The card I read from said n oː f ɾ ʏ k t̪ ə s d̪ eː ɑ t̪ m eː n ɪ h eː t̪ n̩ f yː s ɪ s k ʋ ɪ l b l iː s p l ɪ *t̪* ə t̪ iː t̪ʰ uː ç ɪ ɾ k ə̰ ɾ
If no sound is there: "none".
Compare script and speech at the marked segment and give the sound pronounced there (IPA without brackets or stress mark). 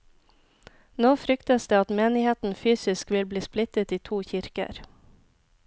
t̪